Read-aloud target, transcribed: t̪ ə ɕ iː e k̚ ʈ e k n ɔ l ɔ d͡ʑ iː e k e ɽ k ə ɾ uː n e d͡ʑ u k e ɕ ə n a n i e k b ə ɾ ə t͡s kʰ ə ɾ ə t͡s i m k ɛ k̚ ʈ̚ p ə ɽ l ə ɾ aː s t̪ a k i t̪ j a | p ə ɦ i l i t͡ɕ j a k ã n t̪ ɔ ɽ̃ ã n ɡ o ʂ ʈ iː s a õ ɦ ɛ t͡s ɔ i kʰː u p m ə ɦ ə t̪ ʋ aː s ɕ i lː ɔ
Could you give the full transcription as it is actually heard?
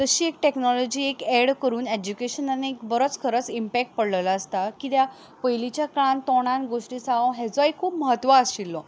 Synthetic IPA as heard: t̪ ə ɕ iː e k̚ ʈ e k n ɔ l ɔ d͡ʑ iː e k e ɽ k ə ɾ uː n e d͡ʑ u k e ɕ ə n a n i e k b ə ɾ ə t͡s kʰ ə ɾ ə t͡s i m p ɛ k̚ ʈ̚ p ə ɽ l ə l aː s t̪ a k i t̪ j a | p ə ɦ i l i t͡ɕ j a k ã n t̪ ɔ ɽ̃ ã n ɡ o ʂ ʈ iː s a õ ɦ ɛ t͡s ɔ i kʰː uː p m ə ɦ ə t̪ ʋ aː s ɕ i lː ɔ